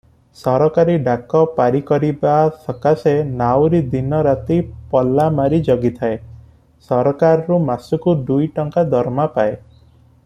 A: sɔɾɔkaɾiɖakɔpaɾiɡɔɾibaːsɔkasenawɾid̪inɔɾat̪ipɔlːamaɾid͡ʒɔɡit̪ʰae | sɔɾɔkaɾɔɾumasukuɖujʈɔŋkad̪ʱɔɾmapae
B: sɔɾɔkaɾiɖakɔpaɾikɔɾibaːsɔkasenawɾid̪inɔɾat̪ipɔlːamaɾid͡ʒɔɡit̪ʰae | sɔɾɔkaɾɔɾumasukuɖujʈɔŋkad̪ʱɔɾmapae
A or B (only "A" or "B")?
B